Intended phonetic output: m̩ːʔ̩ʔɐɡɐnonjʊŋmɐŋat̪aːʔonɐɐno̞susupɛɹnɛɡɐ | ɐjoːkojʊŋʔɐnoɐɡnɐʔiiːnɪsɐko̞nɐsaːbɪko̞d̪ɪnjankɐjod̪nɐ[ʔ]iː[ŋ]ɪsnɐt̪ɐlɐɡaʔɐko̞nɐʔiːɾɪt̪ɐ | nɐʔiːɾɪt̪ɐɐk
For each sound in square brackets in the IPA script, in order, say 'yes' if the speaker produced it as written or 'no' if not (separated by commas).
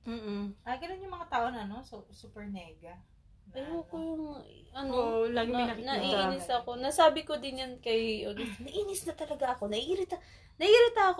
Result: yes, no